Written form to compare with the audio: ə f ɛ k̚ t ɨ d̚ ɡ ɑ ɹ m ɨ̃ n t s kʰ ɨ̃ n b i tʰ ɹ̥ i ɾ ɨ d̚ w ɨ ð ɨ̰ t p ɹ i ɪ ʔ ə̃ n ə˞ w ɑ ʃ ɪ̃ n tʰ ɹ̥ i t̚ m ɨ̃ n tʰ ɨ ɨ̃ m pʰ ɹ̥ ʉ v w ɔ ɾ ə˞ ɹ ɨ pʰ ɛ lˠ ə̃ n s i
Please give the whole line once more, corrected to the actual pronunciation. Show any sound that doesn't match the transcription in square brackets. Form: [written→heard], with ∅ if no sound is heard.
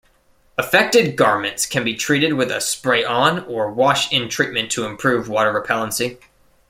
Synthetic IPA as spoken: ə f ɛ k̚ t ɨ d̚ ɡ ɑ ɹ m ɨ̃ n t s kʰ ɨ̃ n b i tʰ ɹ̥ i ɾ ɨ d̚ w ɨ ð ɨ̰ [t→s] p ɹ [i→e] ɪ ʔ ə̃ n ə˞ w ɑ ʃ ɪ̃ n tʰ ɹ̥ i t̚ m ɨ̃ n tʰ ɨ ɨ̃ m pʰ ɹ̥ ʉ v w ɔ ɾ ə˞ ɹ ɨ pʰ ɛ lˠ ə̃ n s i